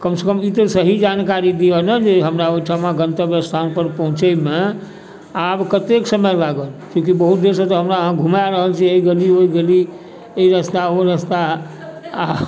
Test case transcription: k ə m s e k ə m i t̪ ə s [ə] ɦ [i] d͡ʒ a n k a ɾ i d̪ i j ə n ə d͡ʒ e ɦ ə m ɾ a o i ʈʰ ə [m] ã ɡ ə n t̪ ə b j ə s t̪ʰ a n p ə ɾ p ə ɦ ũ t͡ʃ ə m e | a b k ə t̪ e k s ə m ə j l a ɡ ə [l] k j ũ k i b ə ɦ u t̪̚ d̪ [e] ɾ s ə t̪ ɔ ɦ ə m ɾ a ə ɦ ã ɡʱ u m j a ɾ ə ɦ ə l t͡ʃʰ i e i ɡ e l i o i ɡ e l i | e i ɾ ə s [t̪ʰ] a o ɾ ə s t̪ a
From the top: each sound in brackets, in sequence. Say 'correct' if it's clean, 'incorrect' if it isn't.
correct, correct, correct, correct, correct, incorrect: t̪

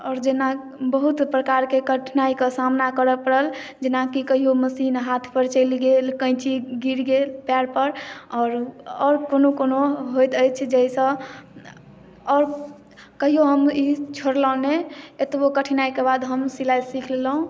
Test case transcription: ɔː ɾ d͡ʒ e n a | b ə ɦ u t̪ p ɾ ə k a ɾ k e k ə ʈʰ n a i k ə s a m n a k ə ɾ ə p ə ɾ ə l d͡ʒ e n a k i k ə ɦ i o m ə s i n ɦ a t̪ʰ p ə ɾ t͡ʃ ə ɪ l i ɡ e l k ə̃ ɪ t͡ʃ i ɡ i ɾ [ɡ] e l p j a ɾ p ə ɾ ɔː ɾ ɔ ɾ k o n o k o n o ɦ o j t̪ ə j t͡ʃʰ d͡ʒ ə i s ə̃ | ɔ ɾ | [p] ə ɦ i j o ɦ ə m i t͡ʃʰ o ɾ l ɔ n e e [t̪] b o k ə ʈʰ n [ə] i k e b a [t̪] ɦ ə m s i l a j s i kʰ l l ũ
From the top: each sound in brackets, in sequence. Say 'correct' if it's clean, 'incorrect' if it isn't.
correct, incorrect: k, correct, incorrect: a, incorrect: d̪

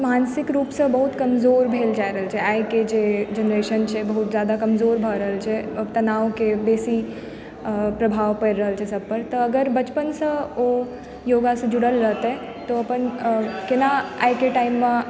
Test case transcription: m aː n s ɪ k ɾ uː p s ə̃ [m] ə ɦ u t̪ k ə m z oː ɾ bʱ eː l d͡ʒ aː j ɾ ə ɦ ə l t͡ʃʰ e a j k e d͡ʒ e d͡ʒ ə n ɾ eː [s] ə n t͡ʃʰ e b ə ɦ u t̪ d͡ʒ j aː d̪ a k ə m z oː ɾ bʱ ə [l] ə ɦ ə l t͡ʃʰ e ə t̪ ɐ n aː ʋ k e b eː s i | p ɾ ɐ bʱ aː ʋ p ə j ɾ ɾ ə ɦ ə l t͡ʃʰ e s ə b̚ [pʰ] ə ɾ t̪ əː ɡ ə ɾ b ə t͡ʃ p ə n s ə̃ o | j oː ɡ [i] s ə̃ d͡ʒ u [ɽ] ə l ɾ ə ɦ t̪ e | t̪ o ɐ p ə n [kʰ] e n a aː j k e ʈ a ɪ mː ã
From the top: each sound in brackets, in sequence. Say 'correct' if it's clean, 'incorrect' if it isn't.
incorrect: b, incorrect: ʃ, incorrect: ɾ, incorrect: p, incorrect: a, correct, incorrect: k

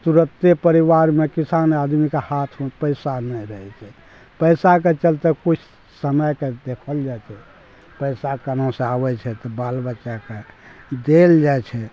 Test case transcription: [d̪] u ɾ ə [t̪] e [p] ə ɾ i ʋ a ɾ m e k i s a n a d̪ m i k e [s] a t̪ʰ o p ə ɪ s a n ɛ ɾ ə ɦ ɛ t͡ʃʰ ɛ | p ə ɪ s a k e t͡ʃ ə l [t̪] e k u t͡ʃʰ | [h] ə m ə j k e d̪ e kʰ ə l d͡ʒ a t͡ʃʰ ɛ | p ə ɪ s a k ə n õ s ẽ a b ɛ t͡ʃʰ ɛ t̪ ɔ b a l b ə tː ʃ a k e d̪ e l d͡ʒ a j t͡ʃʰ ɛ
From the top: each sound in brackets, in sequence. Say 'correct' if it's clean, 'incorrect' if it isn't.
incorrect: t̪, correct, correct, incorrect: h, correct, incorrect: s

